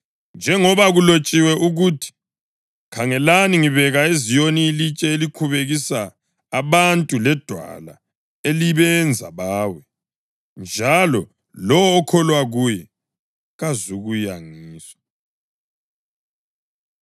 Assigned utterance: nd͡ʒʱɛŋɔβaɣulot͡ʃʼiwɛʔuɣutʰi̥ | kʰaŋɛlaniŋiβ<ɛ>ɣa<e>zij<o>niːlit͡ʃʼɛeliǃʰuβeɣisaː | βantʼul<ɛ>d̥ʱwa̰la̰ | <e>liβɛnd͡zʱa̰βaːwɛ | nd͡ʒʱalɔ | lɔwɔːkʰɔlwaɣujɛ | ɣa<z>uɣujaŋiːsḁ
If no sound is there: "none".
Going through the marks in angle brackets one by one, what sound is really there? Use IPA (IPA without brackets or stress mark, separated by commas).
ɛ, e, o, ɛ, e, z